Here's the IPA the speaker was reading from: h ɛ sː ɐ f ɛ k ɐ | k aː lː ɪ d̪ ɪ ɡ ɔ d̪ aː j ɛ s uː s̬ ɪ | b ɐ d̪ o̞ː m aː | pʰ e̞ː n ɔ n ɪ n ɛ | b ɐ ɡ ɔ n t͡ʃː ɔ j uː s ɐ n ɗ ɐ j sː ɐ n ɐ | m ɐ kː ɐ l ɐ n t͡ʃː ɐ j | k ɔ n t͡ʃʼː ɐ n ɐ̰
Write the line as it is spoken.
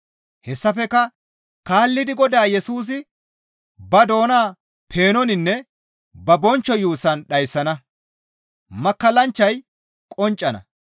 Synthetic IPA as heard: h ɛ sː ɐ f ɛ k ɐ | k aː lː ɪ d̪ ɪ ɡ ɔ d̪ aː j ɛ s uː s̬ ɪ | b ɐ d̪ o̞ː n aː | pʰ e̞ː n ɔ n ɪ nː ɛ | b ɐ b ɔ n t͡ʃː ɔ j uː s ɐ n ɗ ɐ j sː ɐ n ɐ | m ɐ kː ɐ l ɐ n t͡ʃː ɐ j | kʼ ɔ n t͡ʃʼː ɐ n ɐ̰